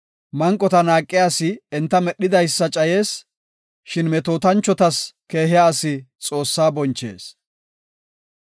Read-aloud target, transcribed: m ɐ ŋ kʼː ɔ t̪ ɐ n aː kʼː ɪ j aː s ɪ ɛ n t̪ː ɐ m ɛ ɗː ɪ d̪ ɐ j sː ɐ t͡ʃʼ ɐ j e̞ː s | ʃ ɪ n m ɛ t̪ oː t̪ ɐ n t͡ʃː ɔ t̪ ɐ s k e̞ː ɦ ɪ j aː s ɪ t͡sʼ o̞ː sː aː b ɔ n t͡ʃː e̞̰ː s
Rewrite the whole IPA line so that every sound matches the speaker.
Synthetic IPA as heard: m ɐ ŋ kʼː ɔ t̪ ɐ n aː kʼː ɪ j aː s ɪ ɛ n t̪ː ɐ m ɛ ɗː ɪ d̪ ɐ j sː ɐ t͡ʃʼ ɐ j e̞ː s | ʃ ɪ n m ɛ t̪ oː t̪ ɐ n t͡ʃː ɔ t̪ ɐ s k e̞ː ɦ ɪ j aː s ɪ t͡sʼ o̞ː sː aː b ɔ n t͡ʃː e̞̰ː s